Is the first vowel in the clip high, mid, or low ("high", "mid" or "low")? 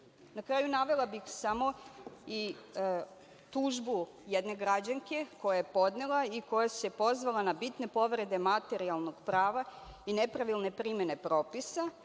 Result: low